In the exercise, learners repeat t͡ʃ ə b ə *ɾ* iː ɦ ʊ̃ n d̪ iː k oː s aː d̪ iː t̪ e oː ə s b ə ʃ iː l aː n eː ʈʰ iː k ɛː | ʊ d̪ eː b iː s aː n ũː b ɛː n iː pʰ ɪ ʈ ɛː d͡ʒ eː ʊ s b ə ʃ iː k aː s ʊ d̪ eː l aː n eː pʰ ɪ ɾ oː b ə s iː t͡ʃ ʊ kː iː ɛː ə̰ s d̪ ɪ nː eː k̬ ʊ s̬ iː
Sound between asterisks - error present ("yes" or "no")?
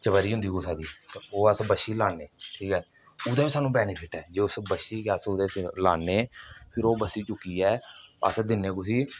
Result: no